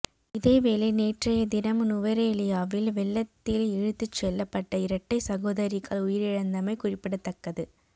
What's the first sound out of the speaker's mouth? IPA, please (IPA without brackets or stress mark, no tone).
ɪ